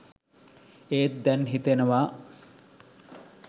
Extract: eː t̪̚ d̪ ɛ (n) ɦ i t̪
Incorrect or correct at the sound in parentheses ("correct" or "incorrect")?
correct